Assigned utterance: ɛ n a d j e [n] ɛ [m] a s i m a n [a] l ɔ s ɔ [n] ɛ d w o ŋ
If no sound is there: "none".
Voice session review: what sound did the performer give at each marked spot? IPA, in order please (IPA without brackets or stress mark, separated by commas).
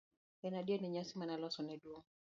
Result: n, ɲ, a, n